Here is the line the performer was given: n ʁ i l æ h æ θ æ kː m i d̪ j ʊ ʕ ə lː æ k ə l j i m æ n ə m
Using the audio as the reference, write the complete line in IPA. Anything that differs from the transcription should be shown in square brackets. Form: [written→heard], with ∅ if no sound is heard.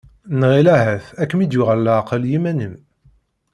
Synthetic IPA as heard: n ʁ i l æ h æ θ æ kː m i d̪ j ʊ [ʕ→ʁ] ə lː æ [k→q] ə l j i m æ n ə m